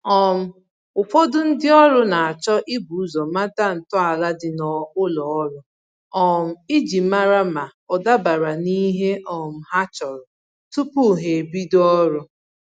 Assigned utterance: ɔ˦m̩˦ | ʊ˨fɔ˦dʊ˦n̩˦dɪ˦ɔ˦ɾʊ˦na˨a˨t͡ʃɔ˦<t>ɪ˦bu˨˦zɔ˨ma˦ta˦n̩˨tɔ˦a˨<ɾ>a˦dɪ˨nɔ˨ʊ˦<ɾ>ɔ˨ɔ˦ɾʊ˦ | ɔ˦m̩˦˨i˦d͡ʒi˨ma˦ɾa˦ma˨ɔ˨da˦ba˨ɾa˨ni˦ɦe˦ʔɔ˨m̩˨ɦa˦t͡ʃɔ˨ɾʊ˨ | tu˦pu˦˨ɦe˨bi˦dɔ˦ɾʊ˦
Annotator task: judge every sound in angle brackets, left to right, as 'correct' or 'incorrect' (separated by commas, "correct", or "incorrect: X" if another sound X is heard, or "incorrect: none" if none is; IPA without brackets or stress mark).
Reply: incorrect: ʔ, incorrect: l, incorrect: l